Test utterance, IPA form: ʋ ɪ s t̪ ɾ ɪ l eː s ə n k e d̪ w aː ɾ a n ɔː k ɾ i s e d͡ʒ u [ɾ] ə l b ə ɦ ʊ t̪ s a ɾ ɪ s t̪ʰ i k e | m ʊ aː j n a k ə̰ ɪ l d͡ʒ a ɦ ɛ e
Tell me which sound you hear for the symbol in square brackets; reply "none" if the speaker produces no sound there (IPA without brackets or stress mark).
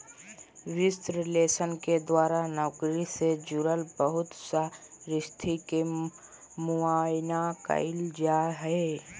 ɾ